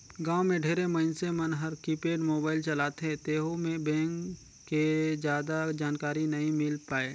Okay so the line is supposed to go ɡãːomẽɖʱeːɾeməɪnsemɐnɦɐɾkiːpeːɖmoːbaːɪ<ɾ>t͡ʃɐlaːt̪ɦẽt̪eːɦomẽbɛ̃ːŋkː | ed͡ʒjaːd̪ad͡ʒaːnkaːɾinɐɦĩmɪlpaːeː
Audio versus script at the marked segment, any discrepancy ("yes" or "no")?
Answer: yes